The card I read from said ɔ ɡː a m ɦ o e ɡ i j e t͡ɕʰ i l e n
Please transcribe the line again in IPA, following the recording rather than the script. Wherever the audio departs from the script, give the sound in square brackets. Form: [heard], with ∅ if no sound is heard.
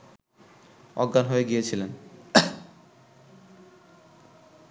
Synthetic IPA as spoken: ɔ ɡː a [n] ɦ o e ɡ i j e t͡ɕʰ i l e n

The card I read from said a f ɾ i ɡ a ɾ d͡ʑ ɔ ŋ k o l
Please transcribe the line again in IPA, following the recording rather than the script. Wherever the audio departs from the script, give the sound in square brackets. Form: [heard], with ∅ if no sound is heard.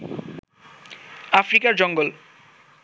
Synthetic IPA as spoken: a f ɾ i [k] a ɾ d͡ʑ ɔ ŋ [ɡ] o l

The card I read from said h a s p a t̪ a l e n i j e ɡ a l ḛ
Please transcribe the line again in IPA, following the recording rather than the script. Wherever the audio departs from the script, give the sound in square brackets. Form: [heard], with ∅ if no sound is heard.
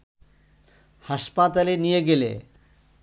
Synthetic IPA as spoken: h a [ʃ] p a t̪ a l e n i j e ɡ [e] l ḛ

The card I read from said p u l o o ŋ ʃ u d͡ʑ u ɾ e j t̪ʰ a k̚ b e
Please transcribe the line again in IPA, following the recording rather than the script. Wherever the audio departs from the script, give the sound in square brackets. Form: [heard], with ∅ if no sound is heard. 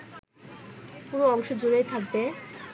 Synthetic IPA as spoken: p u [ɾ] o [ɔ] ŋ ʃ [o] d͡ʑ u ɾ e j t̪ʰ a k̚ b e

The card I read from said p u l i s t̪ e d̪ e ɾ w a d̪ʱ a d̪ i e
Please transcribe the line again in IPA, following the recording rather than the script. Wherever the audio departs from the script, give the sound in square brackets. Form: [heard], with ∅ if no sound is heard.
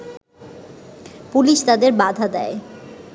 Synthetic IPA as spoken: p u l i [ʃ] t̪ [a] d̪ e ɾ [b] a d̪ʱ a d̪ [ɛ] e

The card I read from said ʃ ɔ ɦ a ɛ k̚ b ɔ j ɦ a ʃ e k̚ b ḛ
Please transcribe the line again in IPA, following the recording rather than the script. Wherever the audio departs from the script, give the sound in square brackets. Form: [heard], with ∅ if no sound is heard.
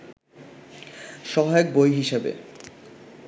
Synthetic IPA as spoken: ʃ ɔ ɦ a [e] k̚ b [o] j ɦ [i] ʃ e [∅] b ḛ

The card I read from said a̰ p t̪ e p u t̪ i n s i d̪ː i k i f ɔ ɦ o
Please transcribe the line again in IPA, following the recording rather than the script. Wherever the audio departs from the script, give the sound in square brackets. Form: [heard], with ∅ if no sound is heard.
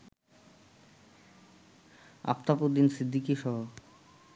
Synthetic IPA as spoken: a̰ p t̪ [a] p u [d̪] i n s i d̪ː i k i [ʃ] ɔ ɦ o

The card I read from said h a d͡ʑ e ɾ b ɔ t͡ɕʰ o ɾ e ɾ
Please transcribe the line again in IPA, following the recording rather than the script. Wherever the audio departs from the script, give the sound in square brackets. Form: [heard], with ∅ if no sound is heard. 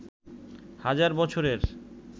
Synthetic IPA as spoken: h a d͡ʑ [a] ɾ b ɔ t͡ɕʰ o ɾ e ɾ

